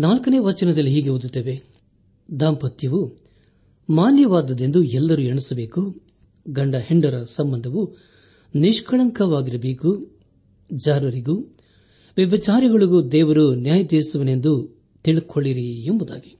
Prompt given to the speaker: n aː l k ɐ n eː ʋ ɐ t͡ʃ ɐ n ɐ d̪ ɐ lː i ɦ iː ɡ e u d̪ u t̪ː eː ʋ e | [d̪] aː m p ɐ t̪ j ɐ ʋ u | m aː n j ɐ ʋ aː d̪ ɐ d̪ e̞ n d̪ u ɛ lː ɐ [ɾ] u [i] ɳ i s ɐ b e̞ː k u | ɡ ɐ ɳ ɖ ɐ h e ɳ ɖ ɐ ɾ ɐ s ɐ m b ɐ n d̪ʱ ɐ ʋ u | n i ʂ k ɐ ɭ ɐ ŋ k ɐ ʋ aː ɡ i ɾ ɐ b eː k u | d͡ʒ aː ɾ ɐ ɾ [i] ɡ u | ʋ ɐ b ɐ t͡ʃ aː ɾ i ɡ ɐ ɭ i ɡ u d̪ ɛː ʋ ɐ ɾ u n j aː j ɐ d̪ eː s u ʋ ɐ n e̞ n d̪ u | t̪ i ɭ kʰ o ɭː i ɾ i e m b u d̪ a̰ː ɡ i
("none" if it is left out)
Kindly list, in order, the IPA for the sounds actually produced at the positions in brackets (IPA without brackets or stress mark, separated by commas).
d̪, ɾ, e, i